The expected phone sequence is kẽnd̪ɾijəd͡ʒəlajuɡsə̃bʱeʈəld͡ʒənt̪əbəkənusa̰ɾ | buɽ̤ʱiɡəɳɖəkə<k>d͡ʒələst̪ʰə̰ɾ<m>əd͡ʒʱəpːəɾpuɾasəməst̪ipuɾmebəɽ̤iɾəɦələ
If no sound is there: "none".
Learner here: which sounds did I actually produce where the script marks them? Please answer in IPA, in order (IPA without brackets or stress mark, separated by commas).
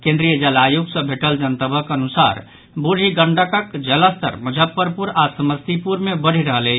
k, m